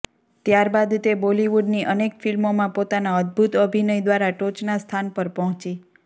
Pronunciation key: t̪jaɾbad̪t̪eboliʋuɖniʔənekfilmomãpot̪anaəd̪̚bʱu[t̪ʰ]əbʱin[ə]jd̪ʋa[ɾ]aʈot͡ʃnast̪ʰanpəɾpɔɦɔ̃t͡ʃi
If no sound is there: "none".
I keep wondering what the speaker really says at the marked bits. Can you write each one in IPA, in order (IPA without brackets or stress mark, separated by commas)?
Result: t̪, ə, ɾ